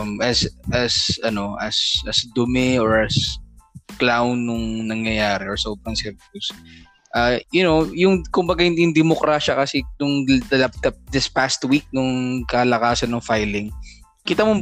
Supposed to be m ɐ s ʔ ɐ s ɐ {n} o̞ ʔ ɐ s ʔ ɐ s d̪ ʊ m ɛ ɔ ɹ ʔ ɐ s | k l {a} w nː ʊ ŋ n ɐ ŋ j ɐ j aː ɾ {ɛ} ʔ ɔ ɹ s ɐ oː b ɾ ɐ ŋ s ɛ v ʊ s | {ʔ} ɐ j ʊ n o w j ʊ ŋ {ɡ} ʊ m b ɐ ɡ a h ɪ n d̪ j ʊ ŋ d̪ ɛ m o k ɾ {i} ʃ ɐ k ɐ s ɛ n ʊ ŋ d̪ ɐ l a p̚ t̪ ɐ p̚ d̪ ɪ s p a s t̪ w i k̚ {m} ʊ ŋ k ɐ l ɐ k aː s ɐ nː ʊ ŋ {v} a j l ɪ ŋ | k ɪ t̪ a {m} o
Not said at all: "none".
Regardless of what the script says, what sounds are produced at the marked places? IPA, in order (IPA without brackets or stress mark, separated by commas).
n, a, ɛ, ʔ, k, a, n, f, m